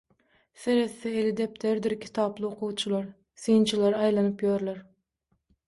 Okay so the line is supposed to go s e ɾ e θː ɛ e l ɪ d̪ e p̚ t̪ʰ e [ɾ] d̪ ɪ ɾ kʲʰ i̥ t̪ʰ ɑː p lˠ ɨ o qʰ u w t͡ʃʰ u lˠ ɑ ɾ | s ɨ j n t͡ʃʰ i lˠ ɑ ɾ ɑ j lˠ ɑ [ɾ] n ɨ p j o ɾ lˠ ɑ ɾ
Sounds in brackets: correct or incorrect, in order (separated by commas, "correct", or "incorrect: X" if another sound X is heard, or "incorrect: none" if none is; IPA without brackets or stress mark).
correct, incorrect: none